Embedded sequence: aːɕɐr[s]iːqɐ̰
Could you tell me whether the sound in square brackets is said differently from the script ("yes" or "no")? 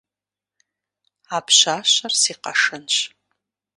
no